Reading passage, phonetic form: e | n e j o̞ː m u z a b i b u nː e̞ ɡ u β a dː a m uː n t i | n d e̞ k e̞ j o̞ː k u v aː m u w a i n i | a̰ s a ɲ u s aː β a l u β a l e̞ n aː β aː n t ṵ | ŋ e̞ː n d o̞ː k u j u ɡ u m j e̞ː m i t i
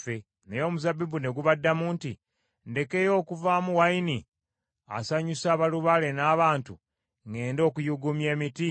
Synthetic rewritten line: e | n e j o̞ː m u z a b i b u n e̞ ɡ u β a dː a m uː n t i | n d e̞ k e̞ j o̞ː k u v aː m u w a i n i | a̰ s a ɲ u s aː β a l u β a l e̞ n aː β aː n t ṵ | ŋ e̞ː n d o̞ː k u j u ɡ u m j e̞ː m i t i